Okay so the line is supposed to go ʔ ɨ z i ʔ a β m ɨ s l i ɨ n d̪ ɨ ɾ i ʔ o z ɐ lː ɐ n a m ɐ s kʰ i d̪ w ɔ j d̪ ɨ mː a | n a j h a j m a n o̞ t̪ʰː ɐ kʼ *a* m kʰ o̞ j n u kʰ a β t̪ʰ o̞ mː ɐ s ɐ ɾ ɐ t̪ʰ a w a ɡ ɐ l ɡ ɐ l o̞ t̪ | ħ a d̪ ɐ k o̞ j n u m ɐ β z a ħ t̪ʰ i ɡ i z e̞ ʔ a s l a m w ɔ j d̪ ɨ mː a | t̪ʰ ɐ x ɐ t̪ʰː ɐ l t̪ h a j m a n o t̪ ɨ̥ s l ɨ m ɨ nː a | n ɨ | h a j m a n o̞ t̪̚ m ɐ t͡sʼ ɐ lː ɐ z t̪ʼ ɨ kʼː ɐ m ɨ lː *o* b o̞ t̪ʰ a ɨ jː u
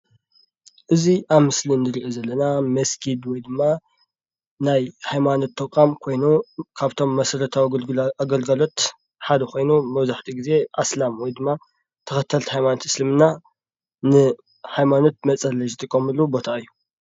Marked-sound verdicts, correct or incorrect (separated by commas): correct, incorrect